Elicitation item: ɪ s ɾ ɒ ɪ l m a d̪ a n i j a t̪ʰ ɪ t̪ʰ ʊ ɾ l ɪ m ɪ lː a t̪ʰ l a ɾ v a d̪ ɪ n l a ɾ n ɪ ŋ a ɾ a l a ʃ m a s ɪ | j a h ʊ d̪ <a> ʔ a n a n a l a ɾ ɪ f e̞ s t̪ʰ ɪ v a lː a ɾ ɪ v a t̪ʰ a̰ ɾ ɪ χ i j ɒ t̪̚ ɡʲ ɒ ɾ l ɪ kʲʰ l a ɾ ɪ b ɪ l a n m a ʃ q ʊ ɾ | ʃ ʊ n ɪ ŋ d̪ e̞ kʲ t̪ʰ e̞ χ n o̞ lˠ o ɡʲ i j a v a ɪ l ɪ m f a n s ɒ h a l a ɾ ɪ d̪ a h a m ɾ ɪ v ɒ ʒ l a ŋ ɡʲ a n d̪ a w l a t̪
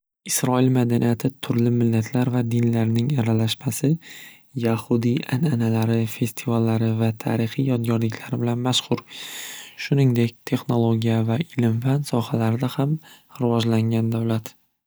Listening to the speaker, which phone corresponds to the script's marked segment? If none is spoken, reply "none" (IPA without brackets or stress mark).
i